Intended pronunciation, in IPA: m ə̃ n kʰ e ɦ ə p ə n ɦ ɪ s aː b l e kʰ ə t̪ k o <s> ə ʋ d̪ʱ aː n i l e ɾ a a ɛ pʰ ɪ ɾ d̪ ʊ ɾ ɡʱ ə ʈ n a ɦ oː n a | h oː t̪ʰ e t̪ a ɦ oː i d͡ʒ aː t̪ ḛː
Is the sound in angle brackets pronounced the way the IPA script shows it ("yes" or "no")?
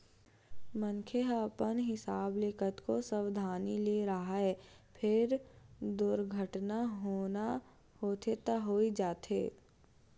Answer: yes